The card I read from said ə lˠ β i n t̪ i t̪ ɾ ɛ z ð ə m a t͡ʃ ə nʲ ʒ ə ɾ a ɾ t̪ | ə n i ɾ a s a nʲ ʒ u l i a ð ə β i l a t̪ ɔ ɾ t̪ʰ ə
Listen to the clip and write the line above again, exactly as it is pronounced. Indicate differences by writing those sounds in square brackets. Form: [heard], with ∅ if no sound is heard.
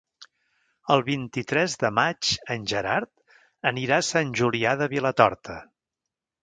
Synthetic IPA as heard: ə lˠ β i n t̪ i t̪ ɾ ɛ z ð ə m a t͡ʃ ə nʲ ʒ ə ɾ a ɾ t̪ | ə n i ɾ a s a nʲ ʒ u l i a ð ə β i l [ə] t̪ ɔ ɾ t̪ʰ ə